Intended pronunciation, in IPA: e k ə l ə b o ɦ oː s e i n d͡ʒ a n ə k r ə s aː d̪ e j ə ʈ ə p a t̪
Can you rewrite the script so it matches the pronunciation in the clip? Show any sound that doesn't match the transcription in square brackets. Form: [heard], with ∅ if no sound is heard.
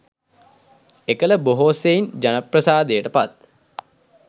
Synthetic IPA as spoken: e k ə l ə b o ɦ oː s e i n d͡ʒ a n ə [p] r ə s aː d̪ e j ə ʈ ə p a t̪

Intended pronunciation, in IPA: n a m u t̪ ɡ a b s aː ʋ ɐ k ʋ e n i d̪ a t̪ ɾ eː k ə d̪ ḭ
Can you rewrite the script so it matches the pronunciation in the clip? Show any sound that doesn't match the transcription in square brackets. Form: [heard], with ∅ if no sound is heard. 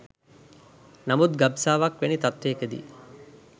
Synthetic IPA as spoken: n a m u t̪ ɡ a b s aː ʋ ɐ k ʋ e n i [t̪] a t̪ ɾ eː k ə d̪ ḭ

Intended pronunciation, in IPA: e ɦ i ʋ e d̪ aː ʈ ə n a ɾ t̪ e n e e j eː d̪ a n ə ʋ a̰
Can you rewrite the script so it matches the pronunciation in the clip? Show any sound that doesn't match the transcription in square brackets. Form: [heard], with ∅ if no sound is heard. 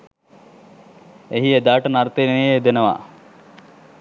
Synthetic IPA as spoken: e ɦ i [∅] e d̪ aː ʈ ə n a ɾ t̪ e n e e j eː d̪ [e] n ə ʋ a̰

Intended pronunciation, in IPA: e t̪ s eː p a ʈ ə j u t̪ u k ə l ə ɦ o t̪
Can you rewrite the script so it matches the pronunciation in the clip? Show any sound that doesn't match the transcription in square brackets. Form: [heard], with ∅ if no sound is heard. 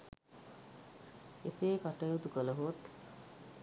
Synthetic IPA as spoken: e [∅] s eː [k] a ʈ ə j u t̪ u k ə l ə ɦ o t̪

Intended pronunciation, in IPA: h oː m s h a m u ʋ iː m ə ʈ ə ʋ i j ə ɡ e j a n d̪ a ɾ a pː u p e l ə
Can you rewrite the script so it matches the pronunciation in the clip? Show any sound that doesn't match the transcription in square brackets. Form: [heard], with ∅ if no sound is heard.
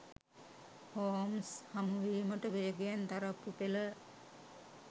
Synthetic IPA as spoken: h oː m s h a m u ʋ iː m ə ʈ ə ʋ [e] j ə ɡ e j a n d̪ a ɾ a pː u p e l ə

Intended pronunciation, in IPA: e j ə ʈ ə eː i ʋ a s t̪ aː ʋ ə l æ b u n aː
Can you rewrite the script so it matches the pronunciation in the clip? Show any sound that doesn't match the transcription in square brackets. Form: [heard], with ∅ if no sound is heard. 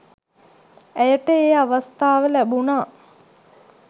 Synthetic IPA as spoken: [æ] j ə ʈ ə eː [a] ʋ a s t̪ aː ʋ ə l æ b u n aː

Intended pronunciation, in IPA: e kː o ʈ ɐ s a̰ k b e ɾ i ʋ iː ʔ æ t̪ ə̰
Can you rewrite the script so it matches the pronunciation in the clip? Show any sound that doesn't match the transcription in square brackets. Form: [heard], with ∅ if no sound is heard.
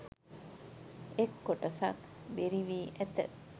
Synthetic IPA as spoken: e kː o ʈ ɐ s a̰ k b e ɾ i ʋ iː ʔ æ t̪ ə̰

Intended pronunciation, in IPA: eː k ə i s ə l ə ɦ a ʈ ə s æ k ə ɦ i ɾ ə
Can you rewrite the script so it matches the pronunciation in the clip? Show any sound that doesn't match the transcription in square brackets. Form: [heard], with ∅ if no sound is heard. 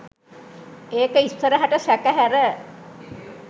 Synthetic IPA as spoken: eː k ə i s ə [ɾ] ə ɦ a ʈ ə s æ k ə ɦ [æ] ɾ ə

